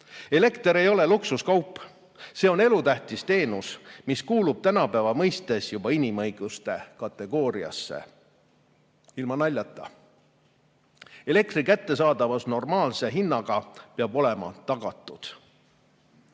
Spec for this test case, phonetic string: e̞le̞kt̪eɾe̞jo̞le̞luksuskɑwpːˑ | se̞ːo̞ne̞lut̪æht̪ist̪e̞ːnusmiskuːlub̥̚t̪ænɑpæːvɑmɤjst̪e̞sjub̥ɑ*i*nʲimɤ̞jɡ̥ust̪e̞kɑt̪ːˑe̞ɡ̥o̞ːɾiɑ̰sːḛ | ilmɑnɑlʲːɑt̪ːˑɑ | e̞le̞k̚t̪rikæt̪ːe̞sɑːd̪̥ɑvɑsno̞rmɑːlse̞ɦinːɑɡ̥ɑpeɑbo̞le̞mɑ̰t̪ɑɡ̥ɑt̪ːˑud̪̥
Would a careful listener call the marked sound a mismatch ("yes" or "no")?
no